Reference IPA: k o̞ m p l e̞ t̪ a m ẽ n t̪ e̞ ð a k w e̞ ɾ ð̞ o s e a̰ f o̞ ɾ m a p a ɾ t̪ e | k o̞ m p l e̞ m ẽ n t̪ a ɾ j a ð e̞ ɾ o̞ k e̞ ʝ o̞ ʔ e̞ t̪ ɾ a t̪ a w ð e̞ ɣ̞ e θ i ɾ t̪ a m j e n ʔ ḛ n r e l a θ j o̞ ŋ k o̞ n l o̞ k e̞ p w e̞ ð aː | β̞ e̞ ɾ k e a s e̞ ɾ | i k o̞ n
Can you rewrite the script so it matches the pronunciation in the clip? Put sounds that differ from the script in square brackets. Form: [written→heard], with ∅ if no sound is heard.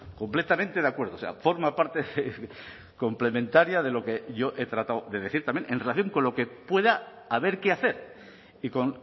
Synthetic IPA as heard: k o̞ m p l e̞ t̪ a m ẽ n t̪ e̞ ð a k w e̞ ɾ ð̞ o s e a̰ f o̞ ɾ m a p a ɾ t̪ e | k o̞ m p l e̞ m ẽ n t̪ a ɾ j a ð e̞ [ɾ→l] o̞ k e̞ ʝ o̞ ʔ e̞ t̪ ɾ a t̪ a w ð e̞ [ɣ̞→ð̞] e θ i ɾ t̪ a m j e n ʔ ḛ n r e l a θ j o̞ ŋ k o̞ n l o̞ k e̞ p w e̞ ð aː | β̞ e̞ ɾ k e a [s→θ] e̞ ɾ | i k o̞ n